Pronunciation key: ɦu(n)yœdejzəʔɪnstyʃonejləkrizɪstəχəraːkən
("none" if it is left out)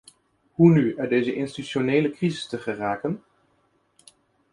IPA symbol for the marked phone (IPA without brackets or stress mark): n